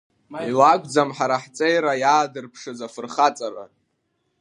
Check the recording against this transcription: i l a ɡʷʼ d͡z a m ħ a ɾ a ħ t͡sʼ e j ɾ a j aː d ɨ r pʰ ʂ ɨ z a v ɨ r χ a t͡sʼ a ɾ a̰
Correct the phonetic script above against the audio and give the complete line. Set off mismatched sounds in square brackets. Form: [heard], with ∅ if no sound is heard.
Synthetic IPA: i l a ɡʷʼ d͡z a m ħ a ɾ a ħ t͡sʼ e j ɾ a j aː d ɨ r pʰ ʂ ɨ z a [f] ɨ r χ a t͡sʼ a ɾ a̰